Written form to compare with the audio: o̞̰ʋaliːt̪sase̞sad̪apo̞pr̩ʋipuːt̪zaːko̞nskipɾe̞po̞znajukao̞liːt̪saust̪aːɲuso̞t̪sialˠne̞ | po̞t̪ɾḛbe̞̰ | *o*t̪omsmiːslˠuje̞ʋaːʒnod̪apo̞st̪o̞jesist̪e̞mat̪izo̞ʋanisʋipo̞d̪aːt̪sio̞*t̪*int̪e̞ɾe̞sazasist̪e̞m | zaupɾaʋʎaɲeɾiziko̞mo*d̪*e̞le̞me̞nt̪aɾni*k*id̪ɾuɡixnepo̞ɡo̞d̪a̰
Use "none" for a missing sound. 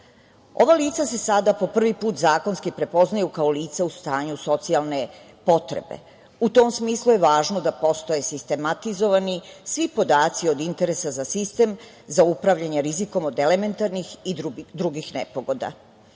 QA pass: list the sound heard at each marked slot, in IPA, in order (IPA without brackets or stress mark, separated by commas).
u, d̪, d̪, x